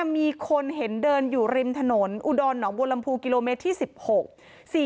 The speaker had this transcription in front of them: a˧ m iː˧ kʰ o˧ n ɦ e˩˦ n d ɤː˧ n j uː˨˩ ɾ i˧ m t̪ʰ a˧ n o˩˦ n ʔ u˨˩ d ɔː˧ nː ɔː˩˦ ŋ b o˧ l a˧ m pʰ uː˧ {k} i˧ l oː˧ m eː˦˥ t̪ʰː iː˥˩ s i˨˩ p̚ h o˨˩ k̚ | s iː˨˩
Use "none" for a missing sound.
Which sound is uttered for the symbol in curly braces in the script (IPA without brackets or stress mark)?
k